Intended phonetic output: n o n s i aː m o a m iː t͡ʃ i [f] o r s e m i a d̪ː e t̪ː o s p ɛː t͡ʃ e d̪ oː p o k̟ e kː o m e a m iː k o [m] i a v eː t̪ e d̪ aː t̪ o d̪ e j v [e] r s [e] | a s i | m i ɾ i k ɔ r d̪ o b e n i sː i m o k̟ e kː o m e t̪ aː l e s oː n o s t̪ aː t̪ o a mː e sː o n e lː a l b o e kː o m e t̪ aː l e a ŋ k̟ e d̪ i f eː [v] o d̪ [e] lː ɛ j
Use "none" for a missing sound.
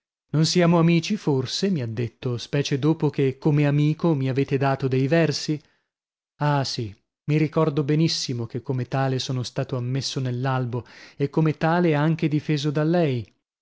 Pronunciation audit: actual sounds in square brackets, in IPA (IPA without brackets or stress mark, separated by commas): f, m, ɛ, i, z, a